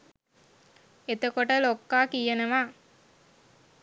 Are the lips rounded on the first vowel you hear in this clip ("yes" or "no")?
no